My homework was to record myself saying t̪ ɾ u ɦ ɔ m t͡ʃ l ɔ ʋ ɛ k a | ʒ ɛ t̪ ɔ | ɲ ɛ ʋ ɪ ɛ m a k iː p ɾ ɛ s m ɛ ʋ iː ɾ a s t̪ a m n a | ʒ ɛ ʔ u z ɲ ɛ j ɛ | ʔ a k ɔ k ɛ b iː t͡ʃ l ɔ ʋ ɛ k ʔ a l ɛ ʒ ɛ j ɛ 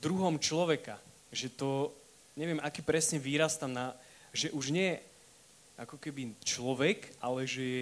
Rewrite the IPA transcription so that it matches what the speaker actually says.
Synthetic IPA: d̪ ɾ u ɦ ɔ m t͡ʃ l ɔ ʋ ɛ k a | ʒ ɛ t̪ ɔ | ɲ ɛ ʋ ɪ ɛ m a k iː p ɾ ɛ s ɲ ɛ ʋ iː ɾ a s t̪ a m n a | ʒ ɛ ʔ u ʒ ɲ ɛ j ɛ | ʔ a k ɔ k ɛ b i t͡ʃ l ɔ ʋ ɛ k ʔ a l ɛ ʒ ɛ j ɛ